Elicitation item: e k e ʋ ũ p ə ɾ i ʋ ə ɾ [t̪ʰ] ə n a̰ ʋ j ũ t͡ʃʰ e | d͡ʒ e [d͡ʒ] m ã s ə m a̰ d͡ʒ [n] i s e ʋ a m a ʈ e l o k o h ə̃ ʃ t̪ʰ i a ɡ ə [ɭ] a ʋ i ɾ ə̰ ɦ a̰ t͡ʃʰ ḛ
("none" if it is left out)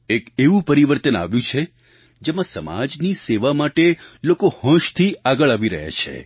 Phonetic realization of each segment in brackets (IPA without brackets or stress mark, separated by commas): t̪, none, n, ɭ